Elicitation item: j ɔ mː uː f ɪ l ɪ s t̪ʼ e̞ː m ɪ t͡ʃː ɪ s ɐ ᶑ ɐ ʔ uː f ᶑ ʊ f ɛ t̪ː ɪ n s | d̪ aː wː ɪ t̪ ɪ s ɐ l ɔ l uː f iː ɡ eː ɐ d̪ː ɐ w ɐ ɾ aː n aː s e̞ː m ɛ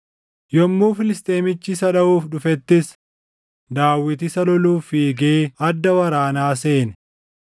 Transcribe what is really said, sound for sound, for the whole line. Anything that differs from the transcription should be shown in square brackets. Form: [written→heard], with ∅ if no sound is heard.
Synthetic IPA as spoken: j ɔ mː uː f ɪ l ɪ s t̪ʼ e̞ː m ɪ t͡ʃː ɪ s ɐ ᶑ ɐ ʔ uː f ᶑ ʊ f ɛ t̪ː ɪ [n→∅] s | d̪ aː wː ɪ t̪ ɪ s ɐ l ɔ l uː f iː ɡ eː ɐ d̪ː ɐ w ɐ ɾ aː n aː s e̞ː [m→n] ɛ